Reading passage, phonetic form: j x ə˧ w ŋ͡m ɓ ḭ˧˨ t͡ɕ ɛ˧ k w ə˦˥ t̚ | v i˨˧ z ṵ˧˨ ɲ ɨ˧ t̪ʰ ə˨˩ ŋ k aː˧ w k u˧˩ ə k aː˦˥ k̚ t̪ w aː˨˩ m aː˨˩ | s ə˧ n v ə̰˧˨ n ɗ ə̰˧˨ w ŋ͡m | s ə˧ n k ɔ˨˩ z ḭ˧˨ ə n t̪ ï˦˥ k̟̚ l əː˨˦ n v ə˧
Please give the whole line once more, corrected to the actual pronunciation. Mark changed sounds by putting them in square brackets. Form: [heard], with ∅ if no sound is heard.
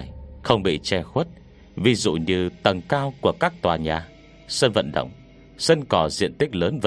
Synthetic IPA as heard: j x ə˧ w ŋ͡m ɓ ḭ˧˨ t͡ɕ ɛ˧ [x] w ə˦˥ t̚ | v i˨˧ z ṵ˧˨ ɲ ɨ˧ [t̪] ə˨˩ ŋ k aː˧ w k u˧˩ ə k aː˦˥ k̚ t̪ w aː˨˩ [ɲ] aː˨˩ | s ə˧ n v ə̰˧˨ n ɗ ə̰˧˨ w ŋ͡m | s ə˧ n k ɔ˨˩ z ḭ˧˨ ə n t̪ ï˦˥ k̟̚ l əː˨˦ n v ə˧